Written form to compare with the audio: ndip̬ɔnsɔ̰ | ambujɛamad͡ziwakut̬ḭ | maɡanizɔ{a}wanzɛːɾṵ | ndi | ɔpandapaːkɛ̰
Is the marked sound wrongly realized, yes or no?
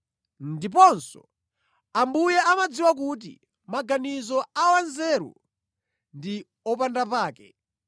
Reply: no